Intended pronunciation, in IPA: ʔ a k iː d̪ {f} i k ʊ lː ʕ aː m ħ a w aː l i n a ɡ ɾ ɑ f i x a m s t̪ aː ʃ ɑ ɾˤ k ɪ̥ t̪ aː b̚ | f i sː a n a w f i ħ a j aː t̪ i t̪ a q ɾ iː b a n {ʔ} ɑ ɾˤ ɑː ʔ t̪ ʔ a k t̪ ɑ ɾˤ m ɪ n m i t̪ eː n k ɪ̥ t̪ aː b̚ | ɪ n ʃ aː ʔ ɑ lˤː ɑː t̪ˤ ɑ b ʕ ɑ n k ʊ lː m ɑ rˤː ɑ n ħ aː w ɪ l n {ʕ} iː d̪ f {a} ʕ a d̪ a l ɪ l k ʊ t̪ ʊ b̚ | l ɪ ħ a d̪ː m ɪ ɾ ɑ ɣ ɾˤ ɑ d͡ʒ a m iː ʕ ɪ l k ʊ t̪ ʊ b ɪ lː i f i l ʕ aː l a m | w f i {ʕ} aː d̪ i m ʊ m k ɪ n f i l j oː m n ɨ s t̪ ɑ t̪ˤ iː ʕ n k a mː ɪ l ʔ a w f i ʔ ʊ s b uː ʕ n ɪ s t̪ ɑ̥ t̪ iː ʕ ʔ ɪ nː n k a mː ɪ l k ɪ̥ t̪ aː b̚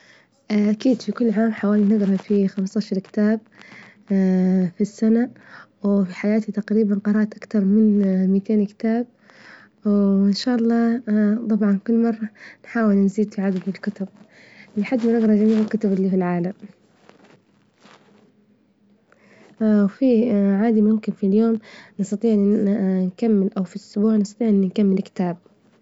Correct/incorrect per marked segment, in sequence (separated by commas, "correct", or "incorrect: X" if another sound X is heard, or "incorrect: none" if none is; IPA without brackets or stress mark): correct, incorrect: q, incorrect: z, incorrect: i, correct